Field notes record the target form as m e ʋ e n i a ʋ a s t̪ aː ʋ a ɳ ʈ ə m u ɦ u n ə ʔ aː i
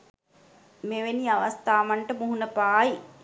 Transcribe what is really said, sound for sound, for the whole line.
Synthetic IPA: m e ʋ e n i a ʋ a s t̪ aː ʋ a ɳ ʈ ə m u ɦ u n ə p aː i